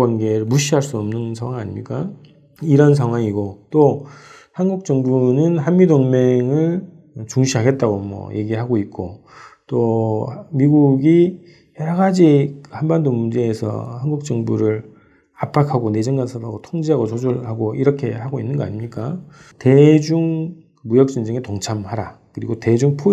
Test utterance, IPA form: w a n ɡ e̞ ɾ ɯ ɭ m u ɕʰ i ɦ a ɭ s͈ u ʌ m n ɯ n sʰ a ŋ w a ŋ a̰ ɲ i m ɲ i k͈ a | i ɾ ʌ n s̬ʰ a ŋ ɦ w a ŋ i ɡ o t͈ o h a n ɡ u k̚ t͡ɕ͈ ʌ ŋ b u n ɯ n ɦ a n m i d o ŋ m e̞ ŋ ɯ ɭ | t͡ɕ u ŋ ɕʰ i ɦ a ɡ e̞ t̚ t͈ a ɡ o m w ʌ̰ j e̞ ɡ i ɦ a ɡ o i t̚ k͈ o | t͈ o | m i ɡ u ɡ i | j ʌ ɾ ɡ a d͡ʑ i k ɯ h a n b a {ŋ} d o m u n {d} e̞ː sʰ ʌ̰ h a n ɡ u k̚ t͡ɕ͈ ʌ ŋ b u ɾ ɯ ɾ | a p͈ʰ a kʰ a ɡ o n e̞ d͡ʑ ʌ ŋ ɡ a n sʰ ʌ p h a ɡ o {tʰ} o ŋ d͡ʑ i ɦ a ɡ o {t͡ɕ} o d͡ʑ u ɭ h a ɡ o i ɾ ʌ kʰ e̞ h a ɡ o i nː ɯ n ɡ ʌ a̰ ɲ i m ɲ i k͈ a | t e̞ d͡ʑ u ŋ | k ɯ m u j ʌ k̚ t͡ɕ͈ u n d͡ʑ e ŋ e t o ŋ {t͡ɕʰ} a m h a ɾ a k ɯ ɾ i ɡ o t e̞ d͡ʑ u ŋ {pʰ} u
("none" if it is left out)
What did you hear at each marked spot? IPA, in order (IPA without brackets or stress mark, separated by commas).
n, d͡ʑ, tʰ, t͡ɕ, t͡ɕʰ, pʰ